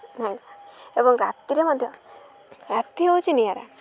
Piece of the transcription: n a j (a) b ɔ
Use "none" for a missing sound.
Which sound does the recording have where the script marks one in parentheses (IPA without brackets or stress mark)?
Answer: e